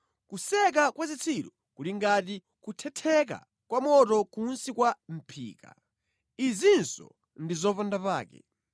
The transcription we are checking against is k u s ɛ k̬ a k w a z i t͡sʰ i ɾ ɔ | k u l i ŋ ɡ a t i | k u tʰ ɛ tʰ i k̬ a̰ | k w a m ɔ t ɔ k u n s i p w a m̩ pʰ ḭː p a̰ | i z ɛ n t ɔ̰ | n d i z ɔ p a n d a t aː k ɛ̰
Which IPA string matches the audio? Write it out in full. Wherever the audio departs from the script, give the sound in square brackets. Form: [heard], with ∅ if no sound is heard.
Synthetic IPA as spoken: k u s ɛ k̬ a k w a z i t͡sʰ i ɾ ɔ | k u l i ŋ ɡ a t i | k u tʰ ɛ tʰ [ɛ] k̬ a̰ | k w a m ɔ t ɔ k u n s i [k] w a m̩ pʰ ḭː [k] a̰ | i z [i] n [s] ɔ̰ | n d i z ɔ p a n d a [p] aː k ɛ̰